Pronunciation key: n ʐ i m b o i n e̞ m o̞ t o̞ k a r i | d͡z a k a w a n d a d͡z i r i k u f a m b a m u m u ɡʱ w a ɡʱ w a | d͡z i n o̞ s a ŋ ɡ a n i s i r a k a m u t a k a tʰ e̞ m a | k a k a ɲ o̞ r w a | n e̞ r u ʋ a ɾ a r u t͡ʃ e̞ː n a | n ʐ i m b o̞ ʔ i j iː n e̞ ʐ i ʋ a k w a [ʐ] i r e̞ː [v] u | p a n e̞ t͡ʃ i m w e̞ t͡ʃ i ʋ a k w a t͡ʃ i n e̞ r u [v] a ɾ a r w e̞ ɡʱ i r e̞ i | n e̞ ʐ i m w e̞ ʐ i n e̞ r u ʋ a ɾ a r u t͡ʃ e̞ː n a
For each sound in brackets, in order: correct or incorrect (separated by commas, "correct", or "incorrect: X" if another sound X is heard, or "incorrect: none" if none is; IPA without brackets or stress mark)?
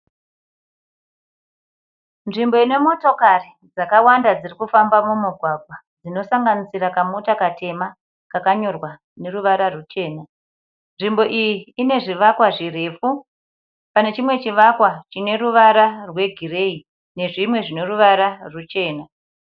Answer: correct, incorrect: f, incorrect: ʋ